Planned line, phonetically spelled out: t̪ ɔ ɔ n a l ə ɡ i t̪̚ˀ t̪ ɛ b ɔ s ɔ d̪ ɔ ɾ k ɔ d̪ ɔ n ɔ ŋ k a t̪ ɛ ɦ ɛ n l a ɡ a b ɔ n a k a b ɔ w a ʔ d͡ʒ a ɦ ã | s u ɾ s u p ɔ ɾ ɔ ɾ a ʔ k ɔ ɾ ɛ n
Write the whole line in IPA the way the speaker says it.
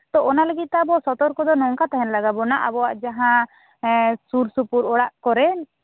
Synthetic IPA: t̪ ɔ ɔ n a l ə ɡ i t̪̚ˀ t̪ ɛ b ɔ s ɔ t̪ ɔ ɾ k ɔ d̪ ɔ n ɔ ŋ k a t̪ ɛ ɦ ɛ n l a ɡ a b ɔ n a ʔ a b ɔ w a ʔ d͡ʒ a ɦ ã | s u ɾ s u p u ɾ ɔ ɽ a ʔ k ɔ ɾ ɛ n